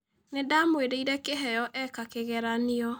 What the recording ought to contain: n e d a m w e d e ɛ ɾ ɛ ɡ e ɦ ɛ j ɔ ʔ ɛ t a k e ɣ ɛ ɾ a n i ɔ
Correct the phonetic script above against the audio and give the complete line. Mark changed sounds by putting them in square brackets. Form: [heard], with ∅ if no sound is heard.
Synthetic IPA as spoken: n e d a m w e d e [i] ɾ ɛ [k] e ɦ ɛ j ɔ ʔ ɛ [k] a k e ɣ ɛ ɾ a n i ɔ